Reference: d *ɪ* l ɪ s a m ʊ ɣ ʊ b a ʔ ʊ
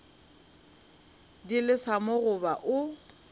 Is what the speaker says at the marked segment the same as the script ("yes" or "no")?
no